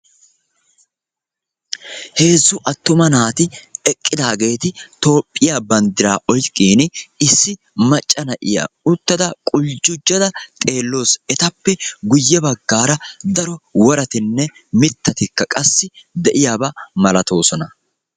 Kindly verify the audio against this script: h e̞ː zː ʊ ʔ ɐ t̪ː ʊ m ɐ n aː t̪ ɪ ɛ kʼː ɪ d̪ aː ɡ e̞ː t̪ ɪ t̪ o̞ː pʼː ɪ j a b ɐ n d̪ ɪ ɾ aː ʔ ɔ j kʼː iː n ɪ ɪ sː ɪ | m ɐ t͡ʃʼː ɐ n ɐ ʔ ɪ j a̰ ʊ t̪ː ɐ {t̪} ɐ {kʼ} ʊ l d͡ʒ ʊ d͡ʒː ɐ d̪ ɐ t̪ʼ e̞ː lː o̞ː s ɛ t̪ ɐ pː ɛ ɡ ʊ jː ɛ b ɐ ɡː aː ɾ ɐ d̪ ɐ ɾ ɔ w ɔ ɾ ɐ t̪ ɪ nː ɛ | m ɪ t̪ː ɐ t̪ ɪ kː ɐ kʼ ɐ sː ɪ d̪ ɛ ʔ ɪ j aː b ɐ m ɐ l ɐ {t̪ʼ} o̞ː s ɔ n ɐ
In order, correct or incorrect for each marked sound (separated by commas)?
incorrect, correct, incorrect